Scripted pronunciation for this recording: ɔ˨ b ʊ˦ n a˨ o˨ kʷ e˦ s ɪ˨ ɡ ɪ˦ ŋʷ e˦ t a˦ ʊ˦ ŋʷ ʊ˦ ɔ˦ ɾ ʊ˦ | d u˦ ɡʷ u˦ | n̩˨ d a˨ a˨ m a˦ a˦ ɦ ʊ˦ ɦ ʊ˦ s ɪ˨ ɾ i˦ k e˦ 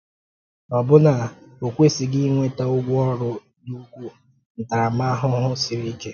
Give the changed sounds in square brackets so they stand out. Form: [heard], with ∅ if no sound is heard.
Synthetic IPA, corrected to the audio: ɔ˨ b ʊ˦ n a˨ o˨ kʷ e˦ s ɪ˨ ɡ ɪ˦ ŋʷ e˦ t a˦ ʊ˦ [ɡʷ] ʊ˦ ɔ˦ ɾ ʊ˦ | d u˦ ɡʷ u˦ | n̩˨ [t] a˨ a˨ m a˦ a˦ ɦ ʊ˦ ɦ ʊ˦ s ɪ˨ ɾ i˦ k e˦